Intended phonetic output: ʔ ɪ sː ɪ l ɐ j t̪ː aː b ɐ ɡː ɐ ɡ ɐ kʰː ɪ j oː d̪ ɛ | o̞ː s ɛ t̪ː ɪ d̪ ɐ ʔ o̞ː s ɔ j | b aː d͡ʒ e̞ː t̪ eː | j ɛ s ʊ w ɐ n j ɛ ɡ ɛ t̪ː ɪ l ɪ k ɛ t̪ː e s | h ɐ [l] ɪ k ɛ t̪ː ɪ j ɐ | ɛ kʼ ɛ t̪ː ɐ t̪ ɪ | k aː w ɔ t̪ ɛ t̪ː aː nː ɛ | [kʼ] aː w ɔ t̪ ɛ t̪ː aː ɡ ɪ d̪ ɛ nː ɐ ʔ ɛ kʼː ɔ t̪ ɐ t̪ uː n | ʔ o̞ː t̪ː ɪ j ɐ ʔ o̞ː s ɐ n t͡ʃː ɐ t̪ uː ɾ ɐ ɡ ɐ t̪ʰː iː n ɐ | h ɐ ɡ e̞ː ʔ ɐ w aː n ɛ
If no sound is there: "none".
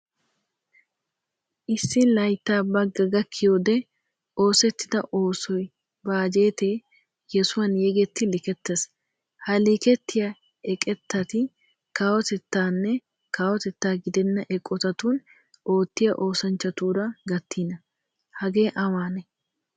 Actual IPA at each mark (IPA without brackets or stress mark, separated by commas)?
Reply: l, k